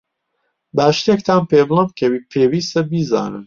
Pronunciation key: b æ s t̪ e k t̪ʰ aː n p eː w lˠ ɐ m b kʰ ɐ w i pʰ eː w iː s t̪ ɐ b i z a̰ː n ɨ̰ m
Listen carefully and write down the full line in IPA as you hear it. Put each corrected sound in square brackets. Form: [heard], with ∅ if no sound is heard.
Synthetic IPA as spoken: b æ [ʃ] t̪ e k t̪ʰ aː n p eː [b] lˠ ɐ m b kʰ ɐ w i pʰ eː w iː s t̪ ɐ b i z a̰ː n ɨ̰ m